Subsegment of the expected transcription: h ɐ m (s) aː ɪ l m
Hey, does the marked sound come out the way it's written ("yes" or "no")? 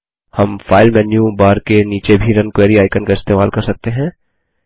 no